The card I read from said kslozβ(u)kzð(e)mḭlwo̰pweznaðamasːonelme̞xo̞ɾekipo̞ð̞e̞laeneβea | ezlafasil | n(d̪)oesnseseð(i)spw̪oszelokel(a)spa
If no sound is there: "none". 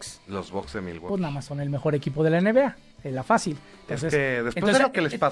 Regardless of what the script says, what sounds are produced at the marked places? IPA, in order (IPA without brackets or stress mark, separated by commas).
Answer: o, e, t̪, e, e